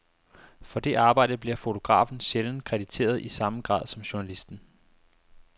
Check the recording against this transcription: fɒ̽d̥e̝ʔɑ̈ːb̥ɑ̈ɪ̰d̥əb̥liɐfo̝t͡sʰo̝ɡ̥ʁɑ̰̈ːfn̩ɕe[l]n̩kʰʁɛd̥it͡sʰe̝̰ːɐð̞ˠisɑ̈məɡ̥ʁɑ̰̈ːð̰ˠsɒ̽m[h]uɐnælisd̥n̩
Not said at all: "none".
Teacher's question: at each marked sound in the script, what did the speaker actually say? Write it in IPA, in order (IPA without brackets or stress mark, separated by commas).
l, ɕ